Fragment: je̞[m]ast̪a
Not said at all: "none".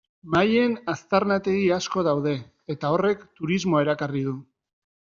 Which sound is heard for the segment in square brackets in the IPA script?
n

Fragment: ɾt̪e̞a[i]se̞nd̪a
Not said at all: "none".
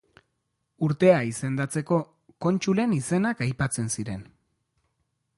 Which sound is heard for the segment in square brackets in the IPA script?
i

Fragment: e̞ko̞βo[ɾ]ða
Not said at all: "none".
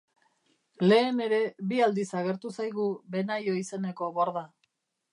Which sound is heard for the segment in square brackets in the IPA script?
ɾ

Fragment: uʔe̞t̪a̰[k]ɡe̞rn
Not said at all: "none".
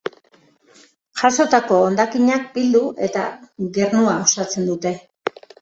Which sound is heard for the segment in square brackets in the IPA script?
none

